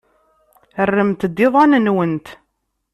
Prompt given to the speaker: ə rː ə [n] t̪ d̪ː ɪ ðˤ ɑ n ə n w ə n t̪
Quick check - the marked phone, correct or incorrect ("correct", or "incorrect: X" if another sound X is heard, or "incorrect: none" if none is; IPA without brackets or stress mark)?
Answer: incorrect: m